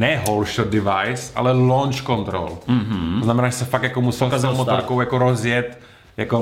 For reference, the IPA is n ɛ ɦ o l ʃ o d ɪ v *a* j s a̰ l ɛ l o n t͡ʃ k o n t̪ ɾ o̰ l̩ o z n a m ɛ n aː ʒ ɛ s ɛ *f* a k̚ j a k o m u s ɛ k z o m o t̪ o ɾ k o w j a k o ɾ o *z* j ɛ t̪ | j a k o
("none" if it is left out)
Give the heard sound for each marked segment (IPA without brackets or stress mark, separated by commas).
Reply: a, f, z